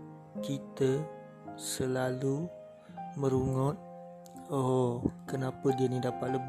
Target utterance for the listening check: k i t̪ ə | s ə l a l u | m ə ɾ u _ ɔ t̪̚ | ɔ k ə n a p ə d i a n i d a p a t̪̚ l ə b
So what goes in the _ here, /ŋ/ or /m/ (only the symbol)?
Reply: ŋ